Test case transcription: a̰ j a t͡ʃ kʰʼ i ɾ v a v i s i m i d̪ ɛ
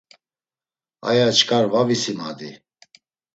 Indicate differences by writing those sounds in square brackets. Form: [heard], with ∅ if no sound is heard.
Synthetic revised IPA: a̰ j a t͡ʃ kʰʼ [a] ɾ v a v i s i m [a] d̪ [i]